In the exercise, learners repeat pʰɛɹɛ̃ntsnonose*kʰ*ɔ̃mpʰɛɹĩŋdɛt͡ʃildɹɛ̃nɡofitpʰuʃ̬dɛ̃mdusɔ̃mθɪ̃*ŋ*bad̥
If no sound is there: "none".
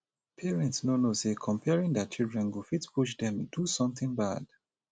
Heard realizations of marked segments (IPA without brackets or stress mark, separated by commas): kʰ, ŋ